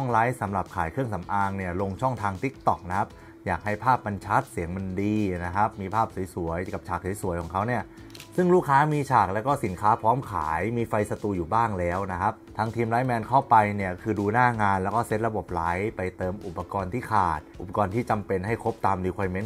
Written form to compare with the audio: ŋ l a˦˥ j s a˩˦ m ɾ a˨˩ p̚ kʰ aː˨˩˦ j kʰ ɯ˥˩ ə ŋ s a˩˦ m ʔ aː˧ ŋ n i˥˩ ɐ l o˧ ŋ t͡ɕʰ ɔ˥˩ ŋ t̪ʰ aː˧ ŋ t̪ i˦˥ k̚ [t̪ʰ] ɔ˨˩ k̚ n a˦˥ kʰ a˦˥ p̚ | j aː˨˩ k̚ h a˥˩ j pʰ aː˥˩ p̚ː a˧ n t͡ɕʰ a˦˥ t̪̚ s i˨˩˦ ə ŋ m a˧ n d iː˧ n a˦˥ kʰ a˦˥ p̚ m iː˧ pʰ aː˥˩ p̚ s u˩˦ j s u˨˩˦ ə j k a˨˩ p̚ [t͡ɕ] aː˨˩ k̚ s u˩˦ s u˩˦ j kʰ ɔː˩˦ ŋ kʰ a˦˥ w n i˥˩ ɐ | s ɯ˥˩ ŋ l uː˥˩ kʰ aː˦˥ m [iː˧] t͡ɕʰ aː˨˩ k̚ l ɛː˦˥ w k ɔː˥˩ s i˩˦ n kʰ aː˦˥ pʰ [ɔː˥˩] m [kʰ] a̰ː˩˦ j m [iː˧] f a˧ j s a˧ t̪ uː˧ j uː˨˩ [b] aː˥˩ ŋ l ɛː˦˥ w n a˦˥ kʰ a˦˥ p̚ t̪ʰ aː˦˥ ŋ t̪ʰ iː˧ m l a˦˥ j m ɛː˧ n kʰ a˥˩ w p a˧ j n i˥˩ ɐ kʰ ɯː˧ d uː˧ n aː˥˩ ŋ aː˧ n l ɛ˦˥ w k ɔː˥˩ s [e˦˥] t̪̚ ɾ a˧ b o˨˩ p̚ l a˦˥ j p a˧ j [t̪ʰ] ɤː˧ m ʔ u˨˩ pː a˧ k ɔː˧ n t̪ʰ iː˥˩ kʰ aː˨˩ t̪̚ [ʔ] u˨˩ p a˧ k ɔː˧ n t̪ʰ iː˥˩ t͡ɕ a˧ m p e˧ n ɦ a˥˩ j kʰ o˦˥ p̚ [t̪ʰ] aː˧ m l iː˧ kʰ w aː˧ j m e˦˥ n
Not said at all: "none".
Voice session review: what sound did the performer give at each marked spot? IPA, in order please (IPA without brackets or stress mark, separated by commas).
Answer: t̪, t͡ɕʰ, iː˧, ɔː˦˥, kʰ, iː˧, b, e˦˥, t̪, ʔ, t̪